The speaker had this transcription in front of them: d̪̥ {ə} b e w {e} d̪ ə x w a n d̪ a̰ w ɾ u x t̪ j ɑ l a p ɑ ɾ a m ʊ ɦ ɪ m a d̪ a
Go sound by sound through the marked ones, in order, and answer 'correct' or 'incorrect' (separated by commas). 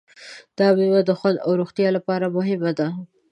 incorrect, incorrect